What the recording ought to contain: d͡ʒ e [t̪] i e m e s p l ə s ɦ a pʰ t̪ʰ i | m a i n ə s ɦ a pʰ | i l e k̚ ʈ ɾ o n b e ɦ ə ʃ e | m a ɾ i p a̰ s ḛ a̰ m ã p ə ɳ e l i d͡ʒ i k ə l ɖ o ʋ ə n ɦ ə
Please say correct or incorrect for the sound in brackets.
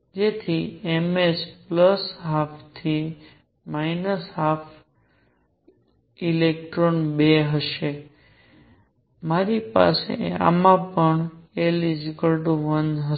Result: incorrect